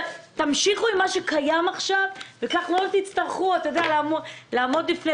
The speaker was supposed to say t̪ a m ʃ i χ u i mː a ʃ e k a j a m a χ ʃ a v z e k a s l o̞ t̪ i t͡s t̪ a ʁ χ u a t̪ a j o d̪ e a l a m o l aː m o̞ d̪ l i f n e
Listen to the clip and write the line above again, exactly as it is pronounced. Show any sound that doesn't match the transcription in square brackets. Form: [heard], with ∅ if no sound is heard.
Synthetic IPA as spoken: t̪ a m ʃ i χ u i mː a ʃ e k a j a m a χ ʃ a v [v] e k a [χ] l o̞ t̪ i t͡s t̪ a ʁ χ u a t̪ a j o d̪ e a l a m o l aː m o̞ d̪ l i f n e